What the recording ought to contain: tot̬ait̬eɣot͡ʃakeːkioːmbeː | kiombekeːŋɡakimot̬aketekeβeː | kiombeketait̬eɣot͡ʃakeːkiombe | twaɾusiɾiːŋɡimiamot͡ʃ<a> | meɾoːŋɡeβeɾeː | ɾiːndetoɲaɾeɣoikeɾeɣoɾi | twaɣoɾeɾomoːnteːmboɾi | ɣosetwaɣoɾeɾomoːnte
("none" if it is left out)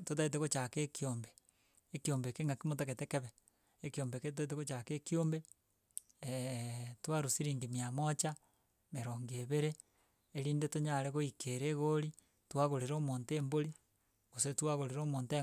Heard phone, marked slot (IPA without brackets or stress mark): a